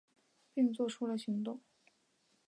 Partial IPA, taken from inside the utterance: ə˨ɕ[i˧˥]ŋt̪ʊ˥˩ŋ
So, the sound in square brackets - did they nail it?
yes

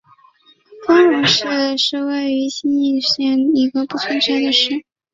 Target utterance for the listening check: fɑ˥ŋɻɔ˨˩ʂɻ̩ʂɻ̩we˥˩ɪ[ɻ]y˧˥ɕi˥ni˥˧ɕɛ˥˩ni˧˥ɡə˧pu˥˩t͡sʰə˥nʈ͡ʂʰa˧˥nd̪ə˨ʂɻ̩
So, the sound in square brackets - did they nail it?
no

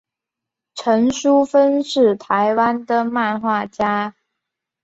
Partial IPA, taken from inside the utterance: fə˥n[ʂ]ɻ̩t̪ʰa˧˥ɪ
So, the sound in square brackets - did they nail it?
yes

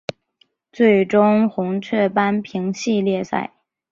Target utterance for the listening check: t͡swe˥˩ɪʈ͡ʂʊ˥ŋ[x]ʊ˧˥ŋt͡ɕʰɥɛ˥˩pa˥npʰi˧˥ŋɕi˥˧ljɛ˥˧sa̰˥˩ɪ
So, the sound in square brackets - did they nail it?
yes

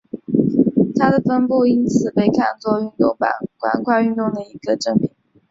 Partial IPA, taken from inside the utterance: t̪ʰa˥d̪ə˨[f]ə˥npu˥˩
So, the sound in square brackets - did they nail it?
yes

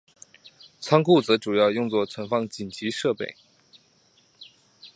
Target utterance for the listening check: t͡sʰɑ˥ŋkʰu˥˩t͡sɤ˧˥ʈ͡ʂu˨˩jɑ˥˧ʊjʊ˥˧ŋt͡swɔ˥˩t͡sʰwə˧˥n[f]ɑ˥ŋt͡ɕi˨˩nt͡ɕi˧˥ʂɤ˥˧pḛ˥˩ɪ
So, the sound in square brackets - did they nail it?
yes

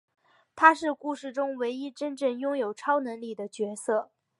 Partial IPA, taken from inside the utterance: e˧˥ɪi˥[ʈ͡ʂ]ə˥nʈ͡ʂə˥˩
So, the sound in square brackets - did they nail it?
yes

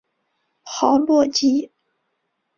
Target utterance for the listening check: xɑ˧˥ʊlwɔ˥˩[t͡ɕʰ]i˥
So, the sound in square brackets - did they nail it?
no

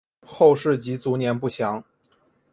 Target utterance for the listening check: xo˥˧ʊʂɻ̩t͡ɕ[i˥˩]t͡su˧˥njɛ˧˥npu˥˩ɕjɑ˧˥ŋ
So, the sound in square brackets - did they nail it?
no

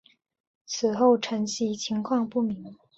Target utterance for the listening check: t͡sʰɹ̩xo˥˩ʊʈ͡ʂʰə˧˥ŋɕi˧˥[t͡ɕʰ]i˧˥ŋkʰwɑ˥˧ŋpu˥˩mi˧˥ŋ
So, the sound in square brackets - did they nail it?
yes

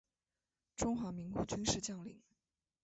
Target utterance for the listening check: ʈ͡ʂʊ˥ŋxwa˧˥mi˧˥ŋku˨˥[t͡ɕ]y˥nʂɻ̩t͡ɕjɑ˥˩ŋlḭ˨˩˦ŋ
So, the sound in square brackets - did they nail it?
yes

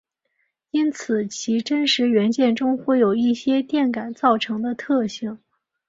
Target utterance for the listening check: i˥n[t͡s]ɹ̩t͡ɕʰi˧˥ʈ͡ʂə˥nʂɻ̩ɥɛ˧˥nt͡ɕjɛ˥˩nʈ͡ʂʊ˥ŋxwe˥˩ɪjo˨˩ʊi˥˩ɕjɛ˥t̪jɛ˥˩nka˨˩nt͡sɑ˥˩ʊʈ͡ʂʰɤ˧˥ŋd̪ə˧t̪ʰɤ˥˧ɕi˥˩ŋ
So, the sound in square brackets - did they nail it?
no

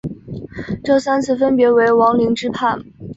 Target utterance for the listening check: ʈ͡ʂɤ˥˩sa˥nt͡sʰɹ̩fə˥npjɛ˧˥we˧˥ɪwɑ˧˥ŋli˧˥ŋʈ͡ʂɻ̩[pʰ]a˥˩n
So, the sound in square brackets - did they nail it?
yes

